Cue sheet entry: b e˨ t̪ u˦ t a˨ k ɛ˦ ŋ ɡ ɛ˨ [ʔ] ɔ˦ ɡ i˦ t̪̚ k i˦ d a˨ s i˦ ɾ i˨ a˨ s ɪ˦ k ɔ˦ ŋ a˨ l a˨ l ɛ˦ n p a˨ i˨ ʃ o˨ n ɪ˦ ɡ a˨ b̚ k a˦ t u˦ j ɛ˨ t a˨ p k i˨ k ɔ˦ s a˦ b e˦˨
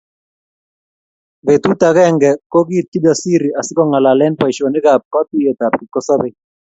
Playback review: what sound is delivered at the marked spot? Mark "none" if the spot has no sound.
k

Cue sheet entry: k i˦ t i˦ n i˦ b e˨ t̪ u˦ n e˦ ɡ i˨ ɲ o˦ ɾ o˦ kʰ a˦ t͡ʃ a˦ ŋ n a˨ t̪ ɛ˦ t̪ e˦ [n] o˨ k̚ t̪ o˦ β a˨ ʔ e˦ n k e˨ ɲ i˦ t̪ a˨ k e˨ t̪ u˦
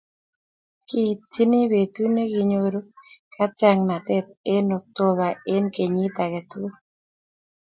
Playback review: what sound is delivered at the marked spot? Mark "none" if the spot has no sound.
n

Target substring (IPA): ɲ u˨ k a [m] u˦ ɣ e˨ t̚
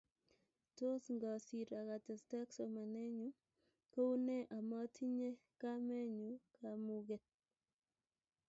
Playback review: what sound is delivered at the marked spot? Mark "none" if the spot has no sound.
m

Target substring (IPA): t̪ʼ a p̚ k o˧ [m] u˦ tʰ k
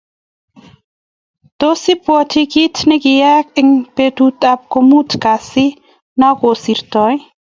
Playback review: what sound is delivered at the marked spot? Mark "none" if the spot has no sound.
m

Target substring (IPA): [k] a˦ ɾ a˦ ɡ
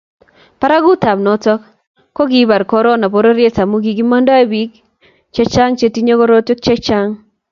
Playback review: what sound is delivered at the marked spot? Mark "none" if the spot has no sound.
p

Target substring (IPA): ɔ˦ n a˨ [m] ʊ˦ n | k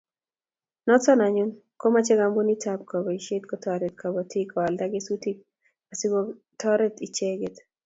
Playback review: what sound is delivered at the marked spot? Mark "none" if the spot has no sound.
ɲ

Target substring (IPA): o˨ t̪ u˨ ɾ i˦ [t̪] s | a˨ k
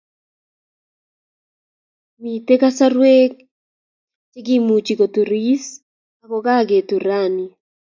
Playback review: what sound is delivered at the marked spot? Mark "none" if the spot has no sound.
none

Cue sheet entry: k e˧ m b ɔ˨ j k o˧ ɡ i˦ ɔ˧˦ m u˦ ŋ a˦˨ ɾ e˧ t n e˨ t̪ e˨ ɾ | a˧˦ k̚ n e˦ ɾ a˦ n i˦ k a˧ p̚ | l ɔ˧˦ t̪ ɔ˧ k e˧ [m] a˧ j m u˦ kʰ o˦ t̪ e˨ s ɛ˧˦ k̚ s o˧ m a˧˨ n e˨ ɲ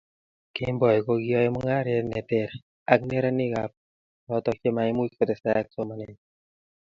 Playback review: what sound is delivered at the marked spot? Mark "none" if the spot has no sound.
m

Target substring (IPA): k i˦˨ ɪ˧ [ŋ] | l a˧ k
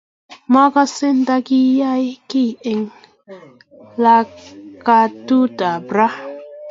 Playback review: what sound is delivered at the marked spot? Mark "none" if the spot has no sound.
ŋ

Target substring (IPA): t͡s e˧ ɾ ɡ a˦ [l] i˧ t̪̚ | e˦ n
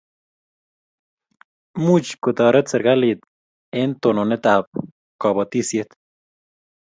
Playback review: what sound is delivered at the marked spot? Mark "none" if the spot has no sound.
l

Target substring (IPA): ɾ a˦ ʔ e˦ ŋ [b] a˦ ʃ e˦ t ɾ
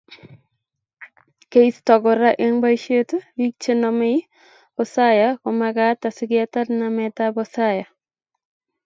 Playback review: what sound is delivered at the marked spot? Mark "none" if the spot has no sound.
b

